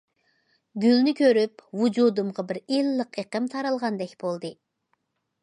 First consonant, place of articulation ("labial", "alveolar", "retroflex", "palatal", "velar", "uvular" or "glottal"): velar